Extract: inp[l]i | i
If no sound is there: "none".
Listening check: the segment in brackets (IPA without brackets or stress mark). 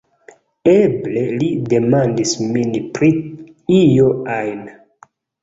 ɾ